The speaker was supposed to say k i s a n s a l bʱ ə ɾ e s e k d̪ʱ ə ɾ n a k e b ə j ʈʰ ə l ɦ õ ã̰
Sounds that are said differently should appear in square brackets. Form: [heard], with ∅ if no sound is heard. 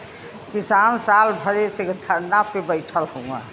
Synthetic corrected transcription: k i s a n s a l bʱ ə ɾ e s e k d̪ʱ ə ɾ n a [p] e b ə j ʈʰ ə l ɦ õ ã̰